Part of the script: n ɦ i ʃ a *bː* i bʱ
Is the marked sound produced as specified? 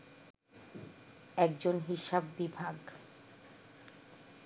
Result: yes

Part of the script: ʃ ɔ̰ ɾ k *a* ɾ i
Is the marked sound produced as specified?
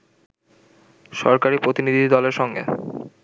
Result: yes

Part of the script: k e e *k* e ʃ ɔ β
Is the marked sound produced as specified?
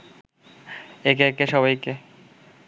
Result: yes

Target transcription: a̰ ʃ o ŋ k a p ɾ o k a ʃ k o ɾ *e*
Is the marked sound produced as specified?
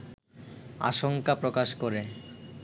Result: yes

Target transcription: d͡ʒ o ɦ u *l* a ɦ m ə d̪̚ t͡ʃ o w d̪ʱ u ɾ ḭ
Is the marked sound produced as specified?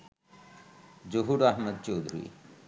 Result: no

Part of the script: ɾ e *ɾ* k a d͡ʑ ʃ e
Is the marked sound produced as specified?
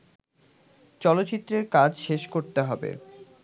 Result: yes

